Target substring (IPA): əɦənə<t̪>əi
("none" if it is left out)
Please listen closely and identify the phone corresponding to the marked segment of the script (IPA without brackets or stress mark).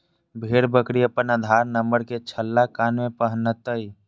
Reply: t̪